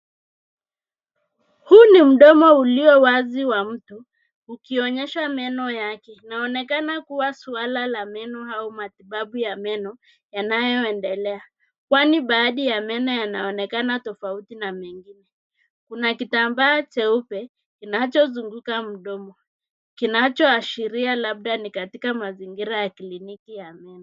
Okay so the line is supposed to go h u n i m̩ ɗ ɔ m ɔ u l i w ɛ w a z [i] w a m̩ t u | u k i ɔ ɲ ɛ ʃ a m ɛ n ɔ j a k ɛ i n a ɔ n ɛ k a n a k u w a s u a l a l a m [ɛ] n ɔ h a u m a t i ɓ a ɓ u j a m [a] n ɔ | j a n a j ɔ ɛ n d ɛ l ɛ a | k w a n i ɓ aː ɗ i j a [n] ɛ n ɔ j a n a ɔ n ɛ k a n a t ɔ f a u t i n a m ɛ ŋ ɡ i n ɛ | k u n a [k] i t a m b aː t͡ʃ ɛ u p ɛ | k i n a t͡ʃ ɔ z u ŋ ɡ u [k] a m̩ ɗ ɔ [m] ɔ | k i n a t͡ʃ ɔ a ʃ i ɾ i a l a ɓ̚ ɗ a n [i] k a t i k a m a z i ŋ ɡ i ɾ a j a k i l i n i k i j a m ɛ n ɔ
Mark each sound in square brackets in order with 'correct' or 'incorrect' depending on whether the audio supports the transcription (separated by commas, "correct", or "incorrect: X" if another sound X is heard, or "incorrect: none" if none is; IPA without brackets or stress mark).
correct, correct, incorrect: ɛ, incorrect: m, correct, correct, correct, correct